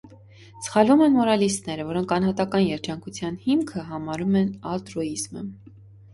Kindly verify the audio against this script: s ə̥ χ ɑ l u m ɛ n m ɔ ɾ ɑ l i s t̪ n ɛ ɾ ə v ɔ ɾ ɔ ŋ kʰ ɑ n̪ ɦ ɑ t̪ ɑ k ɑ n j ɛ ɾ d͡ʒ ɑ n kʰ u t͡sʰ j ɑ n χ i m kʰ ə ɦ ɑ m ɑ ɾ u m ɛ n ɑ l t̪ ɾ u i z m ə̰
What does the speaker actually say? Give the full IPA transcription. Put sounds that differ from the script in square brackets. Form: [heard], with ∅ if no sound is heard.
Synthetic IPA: s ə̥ χ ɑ l u m ɛ n m ɔ ɾ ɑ l i s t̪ n ɛ ɾ ə v ɔ ɾ ɔ ŋ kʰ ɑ n̪ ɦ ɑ t̪ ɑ k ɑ n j ɛ ɾ d͡ʒ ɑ [ŋ] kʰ u t͡sʰ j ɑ n [h] i m kʰ ə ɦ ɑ m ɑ ɾ u m ɛ n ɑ l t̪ ɾ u i z m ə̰

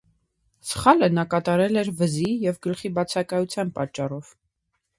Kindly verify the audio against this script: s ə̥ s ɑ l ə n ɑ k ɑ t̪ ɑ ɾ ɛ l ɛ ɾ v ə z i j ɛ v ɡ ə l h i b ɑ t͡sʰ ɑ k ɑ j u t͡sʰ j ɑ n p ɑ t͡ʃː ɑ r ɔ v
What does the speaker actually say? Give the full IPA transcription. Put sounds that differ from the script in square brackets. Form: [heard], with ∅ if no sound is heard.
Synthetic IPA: s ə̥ [χ] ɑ l ə n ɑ k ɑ t̪ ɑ ɾ ɛ l ɛ ɾ v ə z i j ɛ v ɡ ə l [χ] i b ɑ t͡sʰ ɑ k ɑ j u t͡sʰ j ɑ n p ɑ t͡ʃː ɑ r ɔ v

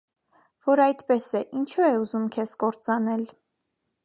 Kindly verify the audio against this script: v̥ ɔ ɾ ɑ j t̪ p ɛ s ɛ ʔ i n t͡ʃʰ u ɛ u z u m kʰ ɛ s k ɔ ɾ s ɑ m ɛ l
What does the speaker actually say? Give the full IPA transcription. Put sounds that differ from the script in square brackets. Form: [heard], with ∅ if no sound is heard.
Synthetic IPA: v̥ ɔ ɾ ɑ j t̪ p ɛ s ɛ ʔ i n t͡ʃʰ u ɛ u z u m kʰ ɛ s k ɔ ɾ [t͡s] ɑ [n] ɛ l

